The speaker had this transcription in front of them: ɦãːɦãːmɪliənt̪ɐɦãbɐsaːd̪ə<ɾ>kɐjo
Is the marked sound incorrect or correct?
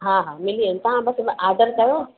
correct